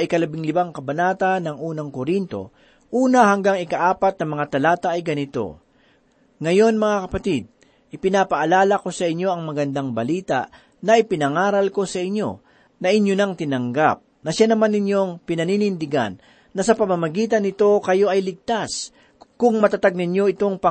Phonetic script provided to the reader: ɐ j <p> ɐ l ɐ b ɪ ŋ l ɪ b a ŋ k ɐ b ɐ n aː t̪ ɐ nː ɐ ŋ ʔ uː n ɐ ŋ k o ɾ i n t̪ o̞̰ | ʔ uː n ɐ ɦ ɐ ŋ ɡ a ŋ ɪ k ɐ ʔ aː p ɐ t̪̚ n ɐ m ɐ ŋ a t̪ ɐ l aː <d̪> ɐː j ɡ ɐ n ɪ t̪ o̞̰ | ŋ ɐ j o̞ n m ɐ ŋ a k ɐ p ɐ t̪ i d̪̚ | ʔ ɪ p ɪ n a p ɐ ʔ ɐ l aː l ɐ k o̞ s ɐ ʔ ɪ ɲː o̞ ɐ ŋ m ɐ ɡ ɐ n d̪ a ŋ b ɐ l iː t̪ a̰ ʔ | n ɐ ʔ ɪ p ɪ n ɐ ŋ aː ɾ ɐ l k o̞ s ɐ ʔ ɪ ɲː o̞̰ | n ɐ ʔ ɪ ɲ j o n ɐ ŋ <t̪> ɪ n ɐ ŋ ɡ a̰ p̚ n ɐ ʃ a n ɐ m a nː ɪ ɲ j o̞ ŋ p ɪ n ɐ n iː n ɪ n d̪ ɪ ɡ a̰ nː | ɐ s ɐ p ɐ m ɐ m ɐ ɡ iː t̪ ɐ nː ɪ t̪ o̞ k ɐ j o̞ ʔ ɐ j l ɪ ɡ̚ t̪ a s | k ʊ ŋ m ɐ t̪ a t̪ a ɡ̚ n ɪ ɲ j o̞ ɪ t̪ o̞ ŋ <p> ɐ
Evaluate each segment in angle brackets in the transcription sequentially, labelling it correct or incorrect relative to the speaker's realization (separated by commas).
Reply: incorrect, incorrect, correct, correct